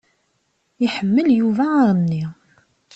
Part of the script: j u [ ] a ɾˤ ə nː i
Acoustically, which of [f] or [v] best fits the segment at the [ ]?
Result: v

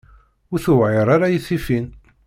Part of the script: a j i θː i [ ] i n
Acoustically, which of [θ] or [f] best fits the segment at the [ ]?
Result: f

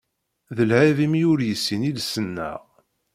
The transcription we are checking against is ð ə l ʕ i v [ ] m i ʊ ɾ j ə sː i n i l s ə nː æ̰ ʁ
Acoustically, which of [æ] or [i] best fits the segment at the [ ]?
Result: i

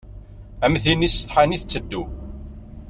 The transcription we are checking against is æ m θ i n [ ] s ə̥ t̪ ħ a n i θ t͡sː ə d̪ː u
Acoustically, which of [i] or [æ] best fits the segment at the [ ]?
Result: i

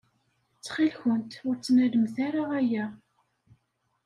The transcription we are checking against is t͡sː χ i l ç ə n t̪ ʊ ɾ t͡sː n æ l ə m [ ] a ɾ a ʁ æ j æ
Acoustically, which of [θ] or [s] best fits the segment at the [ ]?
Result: θ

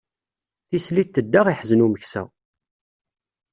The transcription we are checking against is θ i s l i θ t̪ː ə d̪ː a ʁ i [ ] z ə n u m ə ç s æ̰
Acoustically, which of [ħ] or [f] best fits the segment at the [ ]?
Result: ħ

